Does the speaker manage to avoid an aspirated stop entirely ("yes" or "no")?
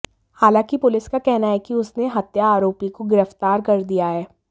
yes